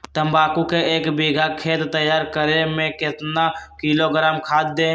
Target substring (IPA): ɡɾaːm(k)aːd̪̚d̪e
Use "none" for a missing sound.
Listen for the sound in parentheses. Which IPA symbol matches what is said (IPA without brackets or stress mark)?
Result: kʰ